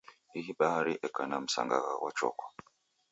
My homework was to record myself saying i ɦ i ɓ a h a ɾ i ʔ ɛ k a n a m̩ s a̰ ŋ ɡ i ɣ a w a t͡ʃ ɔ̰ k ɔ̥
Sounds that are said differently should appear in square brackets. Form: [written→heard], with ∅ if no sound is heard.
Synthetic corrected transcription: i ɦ i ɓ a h a ɾ i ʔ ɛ k a n a m̩ s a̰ ŋ ɡ [i→a] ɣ a w a t͡ʃ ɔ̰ k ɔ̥